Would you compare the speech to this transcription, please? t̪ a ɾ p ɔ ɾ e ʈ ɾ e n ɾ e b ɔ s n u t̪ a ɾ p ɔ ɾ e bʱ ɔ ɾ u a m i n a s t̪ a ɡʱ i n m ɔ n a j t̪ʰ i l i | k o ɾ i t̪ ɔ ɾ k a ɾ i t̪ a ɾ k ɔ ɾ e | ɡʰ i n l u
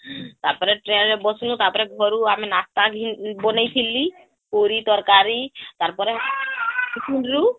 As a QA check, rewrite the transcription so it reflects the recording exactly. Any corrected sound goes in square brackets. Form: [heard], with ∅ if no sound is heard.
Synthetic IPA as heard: t̪ a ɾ p ɔ ɾ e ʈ ɾ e n ɾ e b ɔ s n u t̪ a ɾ p ɔ ɾ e [ɡʱ] ɔ ɾ u a m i n a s t̪ a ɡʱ i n [b] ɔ n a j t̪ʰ i l i | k o ɾ i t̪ ɔ ɾ k a ɾ i t̪ a ɾ [p] ɔ ɾ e | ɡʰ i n [ɾ] u